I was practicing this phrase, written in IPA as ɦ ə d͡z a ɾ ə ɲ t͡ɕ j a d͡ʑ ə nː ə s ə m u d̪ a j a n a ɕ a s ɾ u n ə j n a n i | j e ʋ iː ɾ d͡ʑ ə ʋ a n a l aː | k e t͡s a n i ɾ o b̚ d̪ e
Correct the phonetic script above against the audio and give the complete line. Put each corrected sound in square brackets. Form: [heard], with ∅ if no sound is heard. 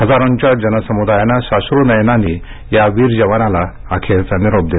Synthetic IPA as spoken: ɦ ə d͡z a ɾ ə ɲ t͡ɕ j a d͡ʑ ə [n] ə s ə m u d̪ a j a n a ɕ a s ɾ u n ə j n a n i | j [a] ʋ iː ɾ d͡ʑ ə ʋ a n a l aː | [kʰ] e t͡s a n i ɾ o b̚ d̪ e

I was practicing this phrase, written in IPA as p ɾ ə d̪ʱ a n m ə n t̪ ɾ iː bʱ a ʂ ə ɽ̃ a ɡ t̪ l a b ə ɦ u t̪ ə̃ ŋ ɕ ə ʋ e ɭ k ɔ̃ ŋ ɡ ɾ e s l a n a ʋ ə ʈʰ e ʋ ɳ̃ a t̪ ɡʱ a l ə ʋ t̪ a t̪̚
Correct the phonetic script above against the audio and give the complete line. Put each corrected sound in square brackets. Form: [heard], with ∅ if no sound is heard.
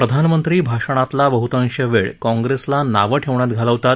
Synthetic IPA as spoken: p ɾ ə d̪ʱ a n m ə n t̪ ɾ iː bʱ a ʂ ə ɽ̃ a [∅] t̪ l a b ə ɦ u t̪ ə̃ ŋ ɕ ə ʋ e ɭ k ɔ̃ ŋ ɡ ɾ e s l a n a ʋ ə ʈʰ e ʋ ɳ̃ a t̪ ɡʱ a l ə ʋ t̪ a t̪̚

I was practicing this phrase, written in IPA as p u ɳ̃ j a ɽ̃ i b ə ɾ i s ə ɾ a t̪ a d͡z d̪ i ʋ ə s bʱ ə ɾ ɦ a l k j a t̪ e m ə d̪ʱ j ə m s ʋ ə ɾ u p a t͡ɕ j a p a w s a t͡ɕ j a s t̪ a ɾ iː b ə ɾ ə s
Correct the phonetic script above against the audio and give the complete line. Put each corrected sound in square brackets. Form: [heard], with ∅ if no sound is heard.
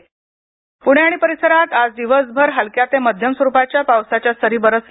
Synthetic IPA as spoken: p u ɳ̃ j a ɽ̃ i [p] ə ɾ i s ə ɾ a t̪ a d͡z d̪ i ʋ ə s bʱ ə ɾ ɦ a l k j a t̪ e m ə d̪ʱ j ə m s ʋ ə ɾ u p a t͡ɕ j a p a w s a t͡ɕ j a s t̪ [ə] ɾ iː b ə ɾ ə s

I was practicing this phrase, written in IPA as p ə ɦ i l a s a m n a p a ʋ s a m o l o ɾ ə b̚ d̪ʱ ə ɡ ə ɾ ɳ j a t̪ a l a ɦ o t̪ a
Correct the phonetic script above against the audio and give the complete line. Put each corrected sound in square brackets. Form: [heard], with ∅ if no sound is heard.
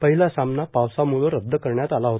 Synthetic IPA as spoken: p ə ɦ i l a s a m n a p a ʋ s a m [u] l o ɾ ə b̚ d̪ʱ ə [k] ə ɾ ɳ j a t̪ a l a ɦ o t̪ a

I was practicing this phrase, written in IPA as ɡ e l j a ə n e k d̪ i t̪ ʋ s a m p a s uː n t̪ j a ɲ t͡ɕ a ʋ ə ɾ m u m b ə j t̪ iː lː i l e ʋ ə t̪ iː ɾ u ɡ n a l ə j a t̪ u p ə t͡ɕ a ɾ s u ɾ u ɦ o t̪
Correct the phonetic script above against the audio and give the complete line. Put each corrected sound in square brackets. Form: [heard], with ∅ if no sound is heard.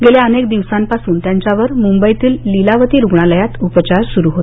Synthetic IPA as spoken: ɡ e l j a ə n e k d̪ i [∅] ʋ s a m p a s uː n t̪ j a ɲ t͡ɕ a ʋ ə ɾ m u m b ə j t̪ iː lː i l [a] ʋ ə t̪ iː ɾ u ɡ [ɳ] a l ə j a t̪ u p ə t͡ɕ a ɾ s u ɾ u ɦ o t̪

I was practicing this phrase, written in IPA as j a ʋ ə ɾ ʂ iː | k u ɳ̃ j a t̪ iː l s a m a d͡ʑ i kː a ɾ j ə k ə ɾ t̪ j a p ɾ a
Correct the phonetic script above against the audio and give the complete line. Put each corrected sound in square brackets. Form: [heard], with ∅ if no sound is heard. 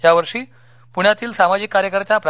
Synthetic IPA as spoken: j a ʋ ə ɾ ʂ iː | [p] u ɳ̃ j a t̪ iː l s a m a d͡ʑ i kː a ɾ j ə k ə ɾ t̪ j a p ɾ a

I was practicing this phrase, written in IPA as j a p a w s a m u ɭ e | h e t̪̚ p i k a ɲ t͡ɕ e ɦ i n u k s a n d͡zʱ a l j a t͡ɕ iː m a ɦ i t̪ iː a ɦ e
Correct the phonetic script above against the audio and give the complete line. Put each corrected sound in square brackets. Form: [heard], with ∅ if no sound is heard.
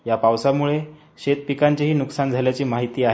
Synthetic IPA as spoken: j a p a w s a m u ɭ e | [ɕ] e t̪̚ p i k a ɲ t͡ɕ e ɦ [iː] n u k s a n d͡zʱ a l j a t͡ɕ iː m a ɦ i t̪ iː a ɦ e

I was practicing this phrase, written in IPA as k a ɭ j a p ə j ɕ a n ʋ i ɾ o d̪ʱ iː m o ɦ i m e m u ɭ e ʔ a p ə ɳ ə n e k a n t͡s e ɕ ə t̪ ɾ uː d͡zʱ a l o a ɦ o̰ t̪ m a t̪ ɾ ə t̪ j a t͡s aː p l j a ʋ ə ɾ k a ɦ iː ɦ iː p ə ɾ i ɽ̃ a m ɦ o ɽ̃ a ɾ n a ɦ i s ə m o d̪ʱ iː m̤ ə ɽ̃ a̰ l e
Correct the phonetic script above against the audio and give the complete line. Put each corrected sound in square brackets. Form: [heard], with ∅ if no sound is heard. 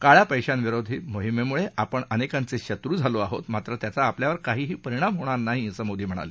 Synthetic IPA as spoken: k a ɭ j a p ə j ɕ a n ʋ i ɾ o d̪ʱ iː m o ɦ i m e m u ɭ e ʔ a p ə ɳ ə n e k a n t͡s e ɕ ə t̪ ɾ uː d͡zʱ a l o a ɦ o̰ t̪ m a t̪ ɾ ə t̪ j a t͡s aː p l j a ʋ ə ɾ k a ɦ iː ɦ iː p ə ɾ i ɽ̃ a m ɦ o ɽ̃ a ɾ n a ɦ i s ə m o d̪ʱ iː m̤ ə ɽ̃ a̰ l e

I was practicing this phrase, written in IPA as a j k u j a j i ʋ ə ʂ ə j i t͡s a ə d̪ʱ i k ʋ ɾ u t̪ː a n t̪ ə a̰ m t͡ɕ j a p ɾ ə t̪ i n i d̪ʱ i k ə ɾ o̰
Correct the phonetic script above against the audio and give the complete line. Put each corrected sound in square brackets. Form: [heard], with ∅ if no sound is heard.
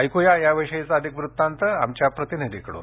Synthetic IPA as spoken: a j k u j a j [a] ʋ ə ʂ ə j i t͡s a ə d̪ʱ i k ʋ ɾ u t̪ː a n t̪ ə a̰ m t͡ɕ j a p ɾ ə t̪ i n i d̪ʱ i k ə [ɽ] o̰

